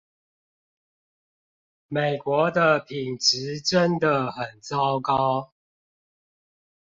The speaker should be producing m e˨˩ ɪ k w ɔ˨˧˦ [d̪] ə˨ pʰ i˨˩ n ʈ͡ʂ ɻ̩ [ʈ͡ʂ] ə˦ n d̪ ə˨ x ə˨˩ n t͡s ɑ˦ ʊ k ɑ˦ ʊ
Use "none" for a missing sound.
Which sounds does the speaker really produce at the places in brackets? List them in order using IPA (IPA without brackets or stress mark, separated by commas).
d̪, ʈ͡ʂ